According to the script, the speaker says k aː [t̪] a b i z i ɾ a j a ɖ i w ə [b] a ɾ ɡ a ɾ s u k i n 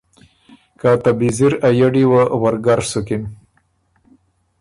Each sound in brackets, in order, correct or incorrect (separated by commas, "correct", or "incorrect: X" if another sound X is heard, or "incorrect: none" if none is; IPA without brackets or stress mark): correct, incorrect: w